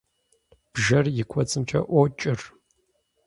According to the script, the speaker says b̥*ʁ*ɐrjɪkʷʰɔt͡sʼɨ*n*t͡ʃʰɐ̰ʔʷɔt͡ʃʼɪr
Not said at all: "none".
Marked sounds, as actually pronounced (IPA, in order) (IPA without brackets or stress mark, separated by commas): ʒ, m